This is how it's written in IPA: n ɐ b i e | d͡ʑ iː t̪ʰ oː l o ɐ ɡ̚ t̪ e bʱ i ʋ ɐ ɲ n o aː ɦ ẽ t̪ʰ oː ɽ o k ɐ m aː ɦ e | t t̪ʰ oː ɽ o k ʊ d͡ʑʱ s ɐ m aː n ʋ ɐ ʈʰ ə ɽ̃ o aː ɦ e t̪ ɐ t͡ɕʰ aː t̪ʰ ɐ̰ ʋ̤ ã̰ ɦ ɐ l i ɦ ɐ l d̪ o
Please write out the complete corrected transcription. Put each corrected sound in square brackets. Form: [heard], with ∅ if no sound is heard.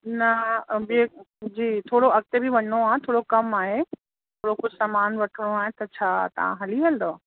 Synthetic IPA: n ɐ b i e | d͡ʑ iː t̪ʰ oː [ɽ] o ɐ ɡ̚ t̪ e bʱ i ʋ ɐ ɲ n o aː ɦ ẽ t̪ʰ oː ɽ o k ɐ m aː ɦ e | t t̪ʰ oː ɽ o k ʊ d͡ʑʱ s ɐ m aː n ʋ ɐ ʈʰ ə ɽ̃ o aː ɦ e t̪ ɐ t͡ɕʰ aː [t̪] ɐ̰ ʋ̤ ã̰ ɦ ɐ l i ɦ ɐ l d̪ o